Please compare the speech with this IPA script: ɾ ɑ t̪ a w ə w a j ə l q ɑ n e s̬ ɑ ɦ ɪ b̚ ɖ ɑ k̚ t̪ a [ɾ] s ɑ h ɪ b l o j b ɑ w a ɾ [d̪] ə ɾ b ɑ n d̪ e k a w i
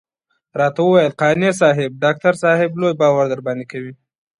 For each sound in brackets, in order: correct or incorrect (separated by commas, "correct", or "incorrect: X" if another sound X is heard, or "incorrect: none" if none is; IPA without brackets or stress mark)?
correct, correct